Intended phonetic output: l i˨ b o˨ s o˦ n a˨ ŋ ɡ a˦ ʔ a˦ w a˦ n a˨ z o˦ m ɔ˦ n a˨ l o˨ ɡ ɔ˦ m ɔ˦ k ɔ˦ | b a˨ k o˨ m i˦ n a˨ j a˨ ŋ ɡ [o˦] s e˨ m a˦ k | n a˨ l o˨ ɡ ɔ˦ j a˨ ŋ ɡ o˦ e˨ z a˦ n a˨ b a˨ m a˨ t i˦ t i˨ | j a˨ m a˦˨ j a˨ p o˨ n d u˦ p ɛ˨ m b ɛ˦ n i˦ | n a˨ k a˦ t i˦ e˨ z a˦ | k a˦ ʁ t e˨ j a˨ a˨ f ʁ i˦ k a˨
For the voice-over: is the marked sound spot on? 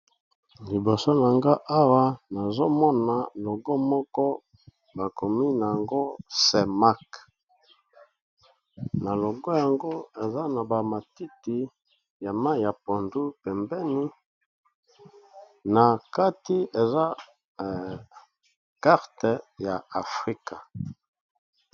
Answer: yes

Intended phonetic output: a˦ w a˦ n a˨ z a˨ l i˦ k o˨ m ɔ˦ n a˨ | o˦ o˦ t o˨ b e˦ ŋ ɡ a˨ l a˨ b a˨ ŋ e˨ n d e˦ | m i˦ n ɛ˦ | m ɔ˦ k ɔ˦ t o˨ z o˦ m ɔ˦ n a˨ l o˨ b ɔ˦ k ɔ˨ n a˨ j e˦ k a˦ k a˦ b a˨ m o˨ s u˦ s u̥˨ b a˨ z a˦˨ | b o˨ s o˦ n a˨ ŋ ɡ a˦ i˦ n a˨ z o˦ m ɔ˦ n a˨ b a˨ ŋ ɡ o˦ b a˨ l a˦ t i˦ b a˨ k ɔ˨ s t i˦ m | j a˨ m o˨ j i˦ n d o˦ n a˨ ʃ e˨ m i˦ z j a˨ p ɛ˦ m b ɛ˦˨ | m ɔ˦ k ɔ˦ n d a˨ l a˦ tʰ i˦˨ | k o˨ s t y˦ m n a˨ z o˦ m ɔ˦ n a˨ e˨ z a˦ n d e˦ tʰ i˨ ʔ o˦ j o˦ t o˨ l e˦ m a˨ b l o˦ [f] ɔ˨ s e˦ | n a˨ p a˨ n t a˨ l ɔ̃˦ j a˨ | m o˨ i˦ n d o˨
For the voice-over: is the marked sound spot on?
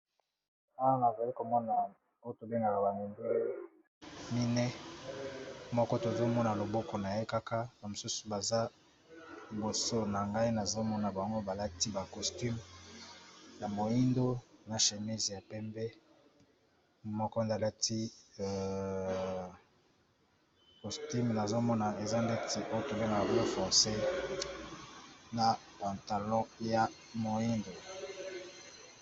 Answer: yes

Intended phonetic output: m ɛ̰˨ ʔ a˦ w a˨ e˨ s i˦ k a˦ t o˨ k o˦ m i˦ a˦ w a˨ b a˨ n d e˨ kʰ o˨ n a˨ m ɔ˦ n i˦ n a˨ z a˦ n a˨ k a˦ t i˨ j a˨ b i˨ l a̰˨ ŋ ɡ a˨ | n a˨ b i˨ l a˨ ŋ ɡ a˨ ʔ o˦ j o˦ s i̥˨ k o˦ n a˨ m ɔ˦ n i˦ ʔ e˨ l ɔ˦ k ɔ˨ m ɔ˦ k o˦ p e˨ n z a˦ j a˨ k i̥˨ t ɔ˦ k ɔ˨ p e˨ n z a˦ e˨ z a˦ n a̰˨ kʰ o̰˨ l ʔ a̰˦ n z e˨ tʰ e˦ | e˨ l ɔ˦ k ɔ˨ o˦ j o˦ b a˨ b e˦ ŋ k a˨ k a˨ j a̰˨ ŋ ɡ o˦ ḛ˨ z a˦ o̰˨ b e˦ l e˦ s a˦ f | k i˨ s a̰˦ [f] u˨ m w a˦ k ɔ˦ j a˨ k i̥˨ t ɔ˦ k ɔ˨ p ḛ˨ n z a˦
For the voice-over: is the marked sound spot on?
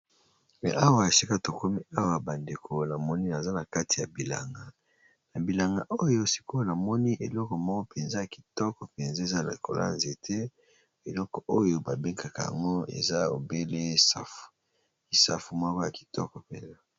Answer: yes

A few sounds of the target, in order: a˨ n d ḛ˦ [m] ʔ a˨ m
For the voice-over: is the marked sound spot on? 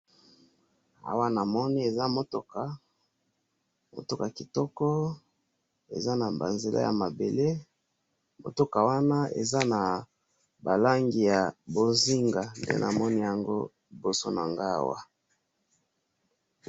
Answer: no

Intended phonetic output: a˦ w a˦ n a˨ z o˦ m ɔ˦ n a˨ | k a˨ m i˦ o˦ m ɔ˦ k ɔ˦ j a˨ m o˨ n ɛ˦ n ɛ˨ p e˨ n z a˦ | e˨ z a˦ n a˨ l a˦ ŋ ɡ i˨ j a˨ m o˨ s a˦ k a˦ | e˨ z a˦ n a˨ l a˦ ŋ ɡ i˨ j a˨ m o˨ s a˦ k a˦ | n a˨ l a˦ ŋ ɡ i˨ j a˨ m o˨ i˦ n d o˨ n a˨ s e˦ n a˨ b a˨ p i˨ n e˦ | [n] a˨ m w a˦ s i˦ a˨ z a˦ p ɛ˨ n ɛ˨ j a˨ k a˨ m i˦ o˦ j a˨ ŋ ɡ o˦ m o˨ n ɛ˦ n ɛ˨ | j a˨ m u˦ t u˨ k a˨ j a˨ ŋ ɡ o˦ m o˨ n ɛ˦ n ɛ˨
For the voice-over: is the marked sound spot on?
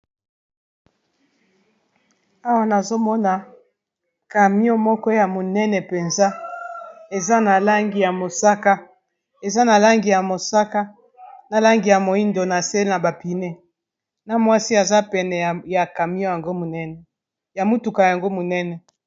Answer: yes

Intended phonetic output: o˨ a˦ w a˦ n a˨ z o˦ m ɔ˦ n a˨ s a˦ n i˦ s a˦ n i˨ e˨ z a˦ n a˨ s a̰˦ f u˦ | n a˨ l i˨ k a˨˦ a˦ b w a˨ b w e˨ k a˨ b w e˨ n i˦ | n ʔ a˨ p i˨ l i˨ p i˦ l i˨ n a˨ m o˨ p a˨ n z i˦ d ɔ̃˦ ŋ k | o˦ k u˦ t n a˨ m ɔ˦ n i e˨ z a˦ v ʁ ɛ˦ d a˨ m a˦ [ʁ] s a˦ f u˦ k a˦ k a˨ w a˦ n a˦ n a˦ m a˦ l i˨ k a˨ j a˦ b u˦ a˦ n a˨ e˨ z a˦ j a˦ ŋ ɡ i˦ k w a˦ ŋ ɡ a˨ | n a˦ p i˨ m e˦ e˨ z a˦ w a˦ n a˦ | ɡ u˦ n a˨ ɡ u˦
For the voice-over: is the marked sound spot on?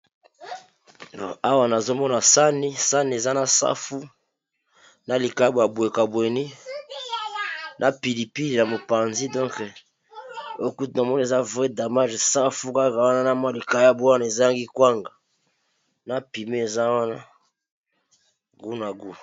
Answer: no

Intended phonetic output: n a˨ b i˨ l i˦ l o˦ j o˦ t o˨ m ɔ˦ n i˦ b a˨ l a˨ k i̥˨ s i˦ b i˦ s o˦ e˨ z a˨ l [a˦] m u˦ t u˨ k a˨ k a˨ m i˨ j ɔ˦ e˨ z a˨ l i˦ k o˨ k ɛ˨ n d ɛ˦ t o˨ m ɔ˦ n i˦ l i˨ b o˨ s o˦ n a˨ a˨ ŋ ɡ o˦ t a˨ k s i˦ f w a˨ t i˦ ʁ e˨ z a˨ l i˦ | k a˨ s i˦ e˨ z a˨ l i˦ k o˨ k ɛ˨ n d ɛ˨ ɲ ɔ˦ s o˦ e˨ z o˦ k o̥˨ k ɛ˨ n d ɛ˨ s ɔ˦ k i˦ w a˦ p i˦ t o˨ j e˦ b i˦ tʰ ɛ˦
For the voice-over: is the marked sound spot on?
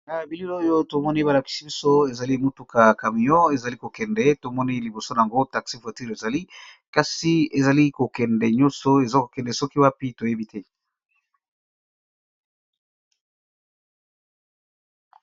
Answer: no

